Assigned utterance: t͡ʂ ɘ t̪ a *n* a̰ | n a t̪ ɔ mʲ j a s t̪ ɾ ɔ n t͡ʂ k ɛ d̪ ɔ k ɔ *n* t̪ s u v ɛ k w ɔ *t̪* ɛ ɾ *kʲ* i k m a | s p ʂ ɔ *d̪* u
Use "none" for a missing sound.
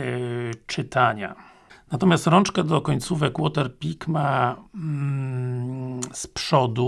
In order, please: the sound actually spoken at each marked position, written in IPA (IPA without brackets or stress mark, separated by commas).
ɲ, ɲ, t̪, pʲ, d̪